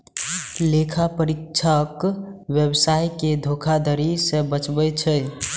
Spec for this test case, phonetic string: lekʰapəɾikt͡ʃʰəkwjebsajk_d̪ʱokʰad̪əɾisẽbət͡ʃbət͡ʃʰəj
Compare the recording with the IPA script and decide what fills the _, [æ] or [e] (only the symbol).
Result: e